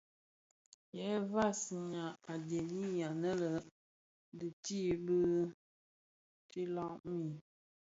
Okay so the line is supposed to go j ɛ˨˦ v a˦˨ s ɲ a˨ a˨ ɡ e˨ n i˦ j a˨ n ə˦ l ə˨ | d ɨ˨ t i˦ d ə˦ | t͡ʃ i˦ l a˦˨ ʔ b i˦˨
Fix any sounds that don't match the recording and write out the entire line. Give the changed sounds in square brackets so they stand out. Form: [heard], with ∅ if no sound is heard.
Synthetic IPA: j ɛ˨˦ v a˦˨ s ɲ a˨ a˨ [d] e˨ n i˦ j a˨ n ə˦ l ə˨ | d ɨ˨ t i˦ [b] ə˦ | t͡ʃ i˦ l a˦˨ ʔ [m] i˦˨